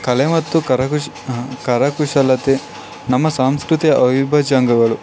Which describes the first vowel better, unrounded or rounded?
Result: unrounded